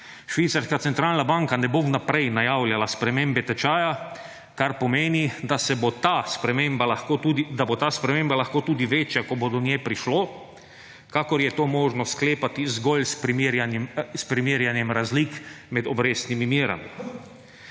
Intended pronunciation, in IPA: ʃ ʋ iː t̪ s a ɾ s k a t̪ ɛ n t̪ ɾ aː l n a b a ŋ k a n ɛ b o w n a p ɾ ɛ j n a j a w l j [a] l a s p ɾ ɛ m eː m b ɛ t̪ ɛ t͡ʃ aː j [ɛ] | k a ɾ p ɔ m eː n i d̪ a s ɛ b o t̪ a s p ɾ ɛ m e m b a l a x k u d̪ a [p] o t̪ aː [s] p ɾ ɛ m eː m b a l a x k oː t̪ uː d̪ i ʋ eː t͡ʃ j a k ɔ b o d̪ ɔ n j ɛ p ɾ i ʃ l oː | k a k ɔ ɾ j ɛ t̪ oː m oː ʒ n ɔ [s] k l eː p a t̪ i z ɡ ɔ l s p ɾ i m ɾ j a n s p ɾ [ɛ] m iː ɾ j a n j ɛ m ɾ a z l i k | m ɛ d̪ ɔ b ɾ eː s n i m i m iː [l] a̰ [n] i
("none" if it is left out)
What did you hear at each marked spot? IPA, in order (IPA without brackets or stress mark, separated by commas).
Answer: a, a, b, s, s, i, ɾ, m